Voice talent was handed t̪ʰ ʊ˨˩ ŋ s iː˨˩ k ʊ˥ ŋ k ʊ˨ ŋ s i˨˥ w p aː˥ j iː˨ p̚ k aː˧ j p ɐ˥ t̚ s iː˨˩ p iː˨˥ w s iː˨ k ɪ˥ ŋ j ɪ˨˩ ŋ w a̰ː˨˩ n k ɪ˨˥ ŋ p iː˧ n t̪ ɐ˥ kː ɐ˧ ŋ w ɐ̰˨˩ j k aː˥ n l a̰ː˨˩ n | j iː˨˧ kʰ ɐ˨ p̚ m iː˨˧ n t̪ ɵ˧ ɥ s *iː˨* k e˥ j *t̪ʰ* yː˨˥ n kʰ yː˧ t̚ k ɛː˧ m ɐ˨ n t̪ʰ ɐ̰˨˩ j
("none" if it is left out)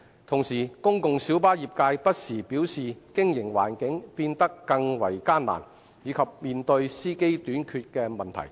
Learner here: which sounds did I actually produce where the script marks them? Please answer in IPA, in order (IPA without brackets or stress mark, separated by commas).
iː˥, t̪